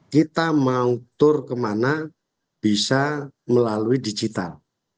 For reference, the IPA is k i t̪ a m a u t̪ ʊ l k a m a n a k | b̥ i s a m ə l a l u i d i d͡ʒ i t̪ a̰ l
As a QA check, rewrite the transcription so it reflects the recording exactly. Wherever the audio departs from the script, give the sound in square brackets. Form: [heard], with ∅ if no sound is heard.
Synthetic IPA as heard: k i t̪ a m a u t̪ ʊ [r] k [ə] m a n a [∅] | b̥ i s a m ə l a l u i d i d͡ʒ i t̪ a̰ l